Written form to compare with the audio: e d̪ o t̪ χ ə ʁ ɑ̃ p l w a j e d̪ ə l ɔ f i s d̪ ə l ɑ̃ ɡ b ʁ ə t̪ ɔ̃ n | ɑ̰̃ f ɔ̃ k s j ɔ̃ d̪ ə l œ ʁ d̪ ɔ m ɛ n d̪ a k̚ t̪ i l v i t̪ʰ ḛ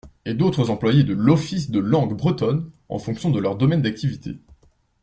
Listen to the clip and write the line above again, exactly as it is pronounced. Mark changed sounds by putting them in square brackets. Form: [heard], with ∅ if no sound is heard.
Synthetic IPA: e d̪ o t̪ χ ə [z] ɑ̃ p l w a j e d̪ ə l ɔ f i s d̪ ə l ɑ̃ ɡ b ʁ ə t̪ [ɔ] n | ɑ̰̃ f ɔ̃ k s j ɔ̃ d̪ ə l œ ʁ d̪ ɔ m ɛ n d̪ a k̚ t̪ i [∅] v i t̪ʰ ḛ